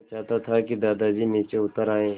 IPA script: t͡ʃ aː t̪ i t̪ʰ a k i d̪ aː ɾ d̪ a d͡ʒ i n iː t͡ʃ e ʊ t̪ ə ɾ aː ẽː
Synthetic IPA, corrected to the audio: t͡ʃ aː t̪ a t̪ʰ a k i d̪ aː d̪ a d͡ʒ i n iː t͡ʃ e ʊ t̪ ə ɾ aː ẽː